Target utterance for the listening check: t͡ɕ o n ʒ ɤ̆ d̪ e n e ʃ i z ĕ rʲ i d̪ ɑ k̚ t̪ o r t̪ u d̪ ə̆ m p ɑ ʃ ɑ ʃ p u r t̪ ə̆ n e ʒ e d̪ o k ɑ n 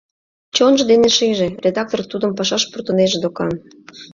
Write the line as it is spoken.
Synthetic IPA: t͡ɕ o n ʒ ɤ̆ d̪ e n e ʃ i ʒ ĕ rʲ e d̪ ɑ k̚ t̪ o r t̪ u d̪ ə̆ m p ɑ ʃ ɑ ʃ p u r t̪ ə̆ n e ʒ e d̪ o k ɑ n